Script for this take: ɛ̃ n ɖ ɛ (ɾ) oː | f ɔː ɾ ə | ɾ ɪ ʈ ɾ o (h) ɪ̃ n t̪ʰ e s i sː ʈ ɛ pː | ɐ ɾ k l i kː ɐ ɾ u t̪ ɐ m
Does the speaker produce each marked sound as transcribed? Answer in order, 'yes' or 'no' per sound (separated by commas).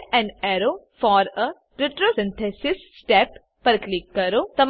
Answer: yes, no